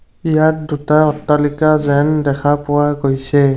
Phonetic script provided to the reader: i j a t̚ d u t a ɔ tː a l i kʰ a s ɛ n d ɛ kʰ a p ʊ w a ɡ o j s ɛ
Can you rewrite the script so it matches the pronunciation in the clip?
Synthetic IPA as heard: i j a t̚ d u t a ɔ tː a l i k a z ɛ n d ɛ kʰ a p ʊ w a ɡ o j s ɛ